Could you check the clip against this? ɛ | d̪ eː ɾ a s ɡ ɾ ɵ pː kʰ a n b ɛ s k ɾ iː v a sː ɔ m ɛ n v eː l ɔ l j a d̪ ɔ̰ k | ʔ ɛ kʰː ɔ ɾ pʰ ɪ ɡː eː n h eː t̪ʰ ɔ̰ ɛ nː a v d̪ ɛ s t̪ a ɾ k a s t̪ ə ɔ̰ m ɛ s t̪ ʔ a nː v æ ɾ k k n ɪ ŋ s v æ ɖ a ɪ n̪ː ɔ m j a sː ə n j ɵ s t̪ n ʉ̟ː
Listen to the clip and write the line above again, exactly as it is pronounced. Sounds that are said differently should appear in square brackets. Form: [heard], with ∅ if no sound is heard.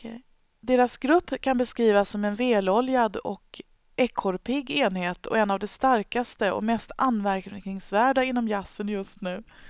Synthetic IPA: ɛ | d̪ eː ɾ a s ɡ ɾ ɵ pː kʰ a n b ɛ s k ɾ iː v a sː ɔ m ɛ n v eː l ɔ l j a d̪ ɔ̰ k | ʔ ɛ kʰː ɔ ɾ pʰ ɪ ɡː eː n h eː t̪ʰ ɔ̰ ɛ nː a v d̪ ɛ s t̪ a ɾ k a s t̪ ə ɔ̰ m ɛ s t̪ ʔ a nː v æ ɾ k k n ɪ ŋ s v [æː] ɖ a ɪ n̪ː ɔ m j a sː ə n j ɵ s t̪ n ʉ̟ː